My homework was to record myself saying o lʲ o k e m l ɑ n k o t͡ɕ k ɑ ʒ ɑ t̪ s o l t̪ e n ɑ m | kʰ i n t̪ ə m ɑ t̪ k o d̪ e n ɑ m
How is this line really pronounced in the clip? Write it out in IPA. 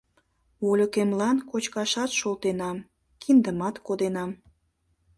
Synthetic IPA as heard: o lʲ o k e m l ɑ n k o t͡ɕ k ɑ ʃ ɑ t̪ ʃ o l t̪ e n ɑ m | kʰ i n d̪ ə m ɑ t̪ k o d̪ e n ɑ m